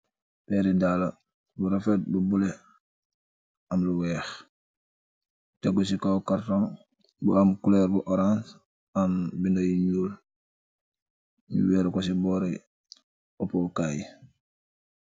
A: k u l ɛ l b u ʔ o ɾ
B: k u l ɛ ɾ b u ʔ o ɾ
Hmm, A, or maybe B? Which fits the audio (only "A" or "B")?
B